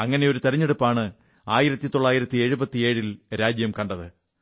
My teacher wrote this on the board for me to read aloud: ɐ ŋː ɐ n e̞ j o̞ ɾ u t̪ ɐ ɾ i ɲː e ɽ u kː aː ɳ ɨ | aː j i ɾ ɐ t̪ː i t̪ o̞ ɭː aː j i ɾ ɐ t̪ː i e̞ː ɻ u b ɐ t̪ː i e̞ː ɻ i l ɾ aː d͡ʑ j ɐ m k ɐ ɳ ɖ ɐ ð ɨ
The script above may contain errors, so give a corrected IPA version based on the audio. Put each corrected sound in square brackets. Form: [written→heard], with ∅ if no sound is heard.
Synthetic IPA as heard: ɐ ŋː ɐ n e̞ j o̞ ɾ u t̪ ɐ ɾ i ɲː e ɽ u [kː→pː] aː ɳ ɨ | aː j i ɾ ɐ t̪ː i t̪ o̞ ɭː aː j i ɾ ɐ t̪ː i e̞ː ɻ u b ɐ t̪ː i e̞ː ɻ i l ɾ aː d͡ʑ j ɐ m k ɐ ɳ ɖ ɐ ð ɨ